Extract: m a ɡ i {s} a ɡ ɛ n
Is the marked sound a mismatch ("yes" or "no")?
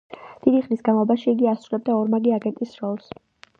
yes